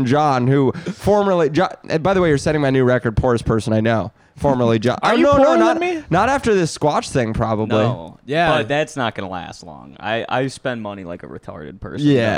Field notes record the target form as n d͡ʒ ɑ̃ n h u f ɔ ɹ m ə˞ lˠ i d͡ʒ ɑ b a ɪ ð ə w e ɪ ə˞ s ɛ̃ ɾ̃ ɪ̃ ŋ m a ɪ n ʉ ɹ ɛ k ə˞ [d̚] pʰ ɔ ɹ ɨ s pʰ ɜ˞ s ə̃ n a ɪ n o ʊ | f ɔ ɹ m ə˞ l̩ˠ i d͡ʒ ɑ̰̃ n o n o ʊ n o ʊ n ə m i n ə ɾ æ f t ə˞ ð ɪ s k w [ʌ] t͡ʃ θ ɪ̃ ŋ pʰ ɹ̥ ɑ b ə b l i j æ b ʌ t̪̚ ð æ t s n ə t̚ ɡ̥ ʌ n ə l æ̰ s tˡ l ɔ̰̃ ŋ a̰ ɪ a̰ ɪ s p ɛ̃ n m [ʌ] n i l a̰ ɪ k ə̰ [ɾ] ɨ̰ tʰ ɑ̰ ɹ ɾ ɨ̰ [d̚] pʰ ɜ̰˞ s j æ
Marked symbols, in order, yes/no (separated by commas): yes, no, yes, no, yes